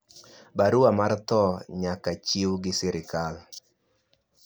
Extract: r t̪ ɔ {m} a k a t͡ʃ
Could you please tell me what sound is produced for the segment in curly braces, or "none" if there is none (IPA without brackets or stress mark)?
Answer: ɲ